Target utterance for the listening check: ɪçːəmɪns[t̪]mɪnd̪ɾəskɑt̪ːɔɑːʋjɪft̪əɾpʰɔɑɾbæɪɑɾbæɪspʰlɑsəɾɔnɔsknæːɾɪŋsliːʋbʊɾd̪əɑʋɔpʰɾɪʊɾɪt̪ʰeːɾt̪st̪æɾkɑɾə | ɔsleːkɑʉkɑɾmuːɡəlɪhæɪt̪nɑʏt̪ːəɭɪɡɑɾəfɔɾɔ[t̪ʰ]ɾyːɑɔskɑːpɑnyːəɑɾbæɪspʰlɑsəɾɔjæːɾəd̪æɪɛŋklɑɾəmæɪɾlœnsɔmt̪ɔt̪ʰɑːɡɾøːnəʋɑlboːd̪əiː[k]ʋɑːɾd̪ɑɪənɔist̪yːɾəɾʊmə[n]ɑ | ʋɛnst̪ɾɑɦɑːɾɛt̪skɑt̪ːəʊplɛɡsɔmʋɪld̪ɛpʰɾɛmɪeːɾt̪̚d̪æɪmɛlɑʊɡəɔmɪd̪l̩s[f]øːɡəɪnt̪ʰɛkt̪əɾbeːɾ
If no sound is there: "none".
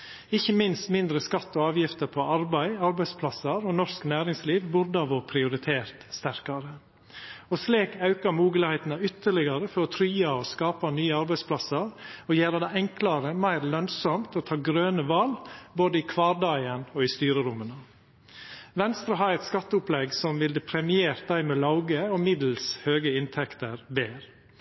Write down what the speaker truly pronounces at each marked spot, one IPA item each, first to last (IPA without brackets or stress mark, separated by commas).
t̪, t̪ʰ, kʰ, n, h